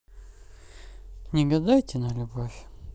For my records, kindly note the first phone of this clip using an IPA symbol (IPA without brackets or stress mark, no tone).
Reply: nʲ